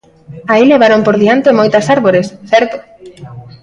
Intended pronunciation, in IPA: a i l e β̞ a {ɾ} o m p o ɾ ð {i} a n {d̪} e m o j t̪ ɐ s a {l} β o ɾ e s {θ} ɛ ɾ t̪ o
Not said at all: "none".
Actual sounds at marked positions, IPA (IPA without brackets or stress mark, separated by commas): ɾ, i, t̪, ɾ, θ